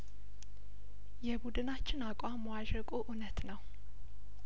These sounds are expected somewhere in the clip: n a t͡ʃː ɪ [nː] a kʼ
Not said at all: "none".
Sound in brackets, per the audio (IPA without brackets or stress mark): n